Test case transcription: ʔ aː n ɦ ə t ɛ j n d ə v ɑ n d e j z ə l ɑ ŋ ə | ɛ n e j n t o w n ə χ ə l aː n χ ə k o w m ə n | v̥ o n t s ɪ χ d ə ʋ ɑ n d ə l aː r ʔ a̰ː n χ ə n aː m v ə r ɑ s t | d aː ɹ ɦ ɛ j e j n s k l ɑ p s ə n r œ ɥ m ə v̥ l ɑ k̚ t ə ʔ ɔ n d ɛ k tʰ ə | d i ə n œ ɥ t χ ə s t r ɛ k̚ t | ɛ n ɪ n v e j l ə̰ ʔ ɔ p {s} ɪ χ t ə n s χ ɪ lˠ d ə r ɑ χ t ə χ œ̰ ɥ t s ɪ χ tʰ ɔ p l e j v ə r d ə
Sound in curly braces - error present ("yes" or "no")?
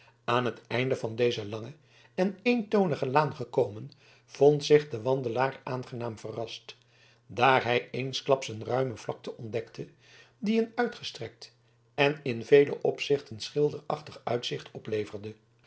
no